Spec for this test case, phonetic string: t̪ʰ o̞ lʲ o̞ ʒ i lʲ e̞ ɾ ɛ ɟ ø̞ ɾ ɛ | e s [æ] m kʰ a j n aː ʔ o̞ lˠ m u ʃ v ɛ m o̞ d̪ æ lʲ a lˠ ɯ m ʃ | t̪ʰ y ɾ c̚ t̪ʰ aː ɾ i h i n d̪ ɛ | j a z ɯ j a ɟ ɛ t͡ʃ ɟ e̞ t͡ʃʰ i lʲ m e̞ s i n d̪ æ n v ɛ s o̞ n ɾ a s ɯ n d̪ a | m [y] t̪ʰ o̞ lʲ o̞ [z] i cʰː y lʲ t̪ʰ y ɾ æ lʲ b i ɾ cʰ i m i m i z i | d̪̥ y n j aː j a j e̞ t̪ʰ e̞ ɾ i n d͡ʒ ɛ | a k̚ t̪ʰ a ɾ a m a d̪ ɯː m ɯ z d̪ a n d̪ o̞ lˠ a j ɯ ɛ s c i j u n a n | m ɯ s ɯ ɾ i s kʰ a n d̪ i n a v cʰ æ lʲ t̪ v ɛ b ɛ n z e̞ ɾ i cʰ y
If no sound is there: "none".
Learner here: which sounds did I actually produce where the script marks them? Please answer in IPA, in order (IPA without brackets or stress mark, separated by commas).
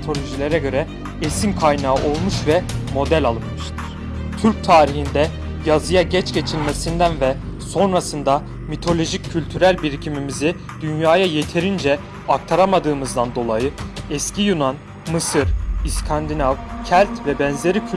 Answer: i, i, ʒ